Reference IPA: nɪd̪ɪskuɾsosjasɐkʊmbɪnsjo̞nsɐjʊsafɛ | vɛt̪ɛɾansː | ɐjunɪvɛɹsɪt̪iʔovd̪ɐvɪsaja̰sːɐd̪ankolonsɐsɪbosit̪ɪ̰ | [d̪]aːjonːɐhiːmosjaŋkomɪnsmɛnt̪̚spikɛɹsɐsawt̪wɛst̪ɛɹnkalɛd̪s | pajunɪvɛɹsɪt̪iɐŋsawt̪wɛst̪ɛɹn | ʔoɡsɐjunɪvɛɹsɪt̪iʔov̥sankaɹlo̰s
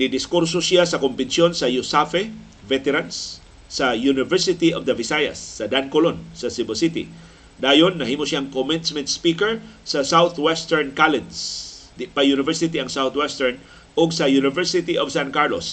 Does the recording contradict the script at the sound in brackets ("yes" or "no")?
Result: no